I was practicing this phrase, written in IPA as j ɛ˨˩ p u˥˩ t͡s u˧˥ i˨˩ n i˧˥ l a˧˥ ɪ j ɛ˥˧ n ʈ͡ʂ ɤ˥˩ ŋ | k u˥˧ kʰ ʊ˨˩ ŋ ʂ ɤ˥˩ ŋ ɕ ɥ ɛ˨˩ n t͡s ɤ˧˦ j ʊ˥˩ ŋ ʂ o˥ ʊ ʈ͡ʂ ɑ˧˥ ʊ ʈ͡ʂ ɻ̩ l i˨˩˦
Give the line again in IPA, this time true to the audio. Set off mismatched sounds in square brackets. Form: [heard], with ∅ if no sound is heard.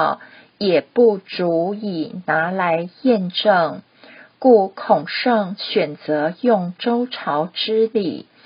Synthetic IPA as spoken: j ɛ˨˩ p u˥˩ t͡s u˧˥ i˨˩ n [a˧˥] l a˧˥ ɪ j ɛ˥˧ n ʈ͡ʂ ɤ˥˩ ŋ | k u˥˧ kʰ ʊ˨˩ ŋ ʂ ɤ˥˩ ŋ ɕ ɥ ɛ˨˩ n t͡s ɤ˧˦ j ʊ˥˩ ŋ [ʈ͡ʂ] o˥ ʊ [ʈ͡ʂʰ] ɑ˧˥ ʊ ʈ͡ʂ ɻ̩ l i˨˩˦